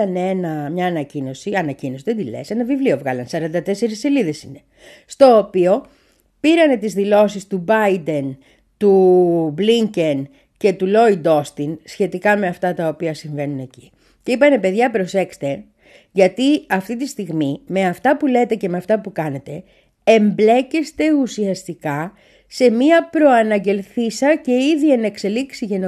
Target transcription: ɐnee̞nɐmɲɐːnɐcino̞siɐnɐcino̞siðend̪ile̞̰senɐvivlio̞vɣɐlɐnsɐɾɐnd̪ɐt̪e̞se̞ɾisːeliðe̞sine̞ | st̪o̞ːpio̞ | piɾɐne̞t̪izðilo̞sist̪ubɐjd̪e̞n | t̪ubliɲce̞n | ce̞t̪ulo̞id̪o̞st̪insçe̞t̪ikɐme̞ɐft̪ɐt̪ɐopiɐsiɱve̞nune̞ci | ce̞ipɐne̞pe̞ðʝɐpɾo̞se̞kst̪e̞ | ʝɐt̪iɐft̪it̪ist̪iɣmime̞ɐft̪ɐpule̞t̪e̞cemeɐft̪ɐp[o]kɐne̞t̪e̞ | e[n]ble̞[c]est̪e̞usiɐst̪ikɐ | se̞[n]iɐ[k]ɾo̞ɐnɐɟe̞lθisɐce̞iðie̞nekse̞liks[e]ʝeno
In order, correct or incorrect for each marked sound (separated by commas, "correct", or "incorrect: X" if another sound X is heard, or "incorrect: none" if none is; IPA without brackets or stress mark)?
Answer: incorrect: u, incorrect: m, correct, incorrect: m, incorrect: p, incorrect: i